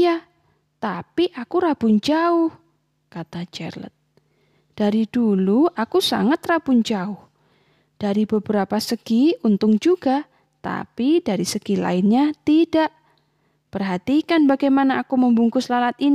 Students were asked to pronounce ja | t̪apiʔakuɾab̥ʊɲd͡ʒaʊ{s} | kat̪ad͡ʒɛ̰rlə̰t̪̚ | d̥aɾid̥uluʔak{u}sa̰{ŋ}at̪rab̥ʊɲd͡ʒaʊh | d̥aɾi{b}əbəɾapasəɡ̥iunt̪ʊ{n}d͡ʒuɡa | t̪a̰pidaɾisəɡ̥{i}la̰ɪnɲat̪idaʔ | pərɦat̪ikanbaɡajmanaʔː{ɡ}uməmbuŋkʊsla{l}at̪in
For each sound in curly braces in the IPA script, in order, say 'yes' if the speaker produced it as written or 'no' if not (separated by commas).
no, yes, yes, yes, no, yes, no, yes